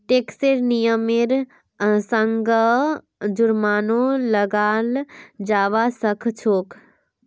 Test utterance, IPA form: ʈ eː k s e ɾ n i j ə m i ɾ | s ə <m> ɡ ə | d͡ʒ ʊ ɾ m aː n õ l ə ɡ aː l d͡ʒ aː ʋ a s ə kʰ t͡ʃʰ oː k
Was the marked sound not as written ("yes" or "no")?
yes